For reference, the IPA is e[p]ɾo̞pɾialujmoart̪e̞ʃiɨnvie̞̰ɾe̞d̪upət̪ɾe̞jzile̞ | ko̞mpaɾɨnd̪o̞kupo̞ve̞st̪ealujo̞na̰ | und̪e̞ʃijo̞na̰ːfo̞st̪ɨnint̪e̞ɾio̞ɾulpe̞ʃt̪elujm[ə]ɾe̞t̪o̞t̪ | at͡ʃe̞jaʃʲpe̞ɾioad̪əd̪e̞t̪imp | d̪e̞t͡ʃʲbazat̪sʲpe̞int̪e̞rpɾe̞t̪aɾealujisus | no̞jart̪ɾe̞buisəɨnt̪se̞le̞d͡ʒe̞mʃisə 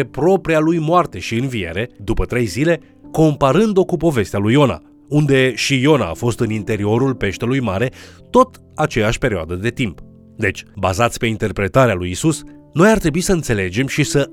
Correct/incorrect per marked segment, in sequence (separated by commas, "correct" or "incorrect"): correct, incorrect